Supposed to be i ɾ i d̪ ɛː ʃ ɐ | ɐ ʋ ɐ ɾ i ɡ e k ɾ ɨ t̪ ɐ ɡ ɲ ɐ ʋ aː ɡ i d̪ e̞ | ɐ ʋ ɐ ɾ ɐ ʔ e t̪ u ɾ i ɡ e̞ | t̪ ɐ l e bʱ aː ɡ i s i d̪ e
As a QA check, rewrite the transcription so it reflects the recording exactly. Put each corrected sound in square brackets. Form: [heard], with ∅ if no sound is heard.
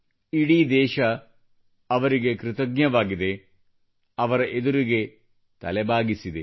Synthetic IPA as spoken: i [ɽ] i d̪ ɛː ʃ ɐ | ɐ ʋ ɐ ɾ i ɡ e k ɾ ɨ t̪ ɐ ɡ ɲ ɐ ʋ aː ɡ i d̪ e̞ | ɐ ʋ ɐ ɾ ɐ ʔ e [d̪] u ɾ i ɡ e̞ | t̪ ɐ l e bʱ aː ɡ i s i d̪ e